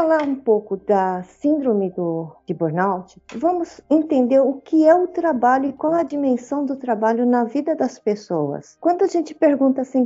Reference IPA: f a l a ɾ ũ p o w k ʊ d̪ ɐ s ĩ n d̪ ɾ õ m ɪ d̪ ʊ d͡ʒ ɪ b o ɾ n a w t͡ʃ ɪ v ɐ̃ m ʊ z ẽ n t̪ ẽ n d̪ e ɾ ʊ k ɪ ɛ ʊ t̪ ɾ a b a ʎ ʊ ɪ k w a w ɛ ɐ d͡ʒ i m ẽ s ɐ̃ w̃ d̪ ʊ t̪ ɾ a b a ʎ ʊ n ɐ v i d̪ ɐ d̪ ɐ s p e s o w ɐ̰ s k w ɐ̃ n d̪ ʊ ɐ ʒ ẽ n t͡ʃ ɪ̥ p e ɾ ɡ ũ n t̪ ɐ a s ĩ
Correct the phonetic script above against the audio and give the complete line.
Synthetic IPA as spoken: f a l a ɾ ũ p o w k ʊ d̪ ɐ s ĩ n d̪ ɾ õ m ɪ d̪ ʊ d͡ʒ ɪ b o ɾ n a w t͡ʃ ɪ v ɐ̃ m ʊ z ẽ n t̪ ẽ n d̪ e ɾ ʊ k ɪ ɛ ʊ t̪ ɾ a b a ʎ ʊ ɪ k w a w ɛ ɐ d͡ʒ i m ẽ s ɐ̃ w̃ d̪ ʊ t̪ ɾ a b a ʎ ʊ n ɐ v i d̪ ɐ d̪ ɐ s p e s o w ɐ̰ s k w ɐ̃ n d̪ ʊ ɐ ʒ ẽ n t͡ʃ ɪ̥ p e ɾ ɡ ũ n t̪ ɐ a s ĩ